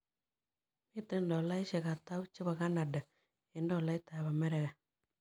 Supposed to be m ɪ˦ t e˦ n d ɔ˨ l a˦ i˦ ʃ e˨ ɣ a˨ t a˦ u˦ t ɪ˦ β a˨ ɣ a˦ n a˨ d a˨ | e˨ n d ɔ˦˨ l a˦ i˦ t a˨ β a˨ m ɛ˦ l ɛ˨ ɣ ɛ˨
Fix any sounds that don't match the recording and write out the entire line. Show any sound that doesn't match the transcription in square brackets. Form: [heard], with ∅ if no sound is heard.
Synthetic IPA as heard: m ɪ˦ t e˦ n d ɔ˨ l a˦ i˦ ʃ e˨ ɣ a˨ t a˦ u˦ [t͡ʃ] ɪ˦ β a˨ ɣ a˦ n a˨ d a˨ | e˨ n d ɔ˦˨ l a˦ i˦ t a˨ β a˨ m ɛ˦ [ɾ] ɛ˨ ɣ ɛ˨